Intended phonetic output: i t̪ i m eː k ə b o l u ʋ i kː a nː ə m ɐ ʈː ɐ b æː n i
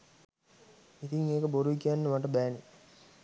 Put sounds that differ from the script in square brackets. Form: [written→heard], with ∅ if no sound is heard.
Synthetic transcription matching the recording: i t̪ i [m→ŋ] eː k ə b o [l→ɾ] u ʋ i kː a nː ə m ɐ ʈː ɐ b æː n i